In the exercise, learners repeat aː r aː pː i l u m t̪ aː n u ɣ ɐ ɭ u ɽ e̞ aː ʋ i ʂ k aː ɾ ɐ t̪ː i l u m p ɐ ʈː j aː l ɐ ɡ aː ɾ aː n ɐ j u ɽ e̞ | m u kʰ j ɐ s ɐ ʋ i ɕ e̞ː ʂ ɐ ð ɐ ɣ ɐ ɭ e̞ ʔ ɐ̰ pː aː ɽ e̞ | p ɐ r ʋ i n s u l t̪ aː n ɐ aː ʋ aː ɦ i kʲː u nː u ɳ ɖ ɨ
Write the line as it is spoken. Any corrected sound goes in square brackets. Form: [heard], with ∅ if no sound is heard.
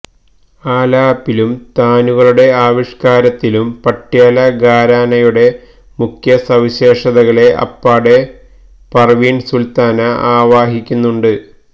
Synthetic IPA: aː [l] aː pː i l u m t̪ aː n u ɣ ɐ ɭ u ɽ e̞ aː ʋ i ʂ k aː ɾ ɐ t̪ː i l u m p ɐ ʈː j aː l ɐ ɡ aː ɾ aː n ɐ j u ɽ e̞ | m u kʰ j ɐ s ɐ ʋ i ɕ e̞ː ʂ ɐ ð ɐ ɣ ɐ ɭ e̞ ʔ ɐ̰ pː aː ɽ e̞ | p ɐ r ʋ i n s u l t̪ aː n ɐ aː ʋ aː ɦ i kʲː u nː u ɳ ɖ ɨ